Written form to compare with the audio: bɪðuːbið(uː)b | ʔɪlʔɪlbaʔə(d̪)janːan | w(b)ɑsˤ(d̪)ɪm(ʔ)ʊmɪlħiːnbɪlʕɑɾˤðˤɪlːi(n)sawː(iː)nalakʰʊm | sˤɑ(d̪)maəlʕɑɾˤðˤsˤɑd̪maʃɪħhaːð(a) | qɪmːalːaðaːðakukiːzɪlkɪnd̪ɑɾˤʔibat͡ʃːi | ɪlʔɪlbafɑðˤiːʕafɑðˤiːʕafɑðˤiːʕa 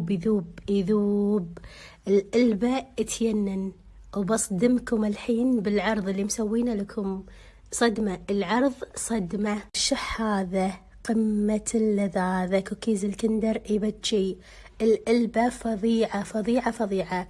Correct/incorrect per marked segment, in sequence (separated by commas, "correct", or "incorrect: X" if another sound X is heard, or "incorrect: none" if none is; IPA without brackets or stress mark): correct, incorrect: t̪, correct, correct, incorrect: k, incorrect: m, correct, correct, correct